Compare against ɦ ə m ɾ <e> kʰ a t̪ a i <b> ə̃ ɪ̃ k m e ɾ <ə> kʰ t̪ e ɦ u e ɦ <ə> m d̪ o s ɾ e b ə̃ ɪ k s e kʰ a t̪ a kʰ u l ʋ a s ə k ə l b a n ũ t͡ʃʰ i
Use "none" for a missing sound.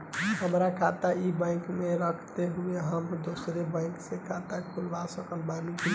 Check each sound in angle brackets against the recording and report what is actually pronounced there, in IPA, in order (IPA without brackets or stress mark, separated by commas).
a, b, ə, ə